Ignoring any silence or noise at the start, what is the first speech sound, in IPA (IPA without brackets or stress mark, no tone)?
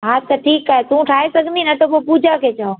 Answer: ɦ